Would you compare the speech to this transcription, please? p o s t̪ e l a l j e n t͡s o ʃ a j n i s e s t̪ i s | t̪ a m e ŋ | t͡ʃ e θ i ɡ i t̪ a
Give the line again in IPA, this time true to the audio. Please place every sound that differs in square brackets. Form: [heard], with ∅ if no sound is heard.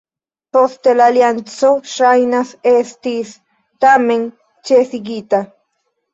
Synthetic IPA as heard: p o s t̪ e l a l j [a] n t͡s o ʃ a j n [a] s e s t̪ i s | t̪ a m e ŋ | t͡ʃ e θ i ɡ i t̪ a